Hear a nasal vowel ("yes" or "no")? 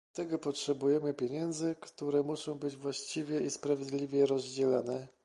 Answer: yes